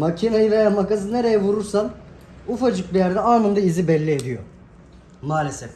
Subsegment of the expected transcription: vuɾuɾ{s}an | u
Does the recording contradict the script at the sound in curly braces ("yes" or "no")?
no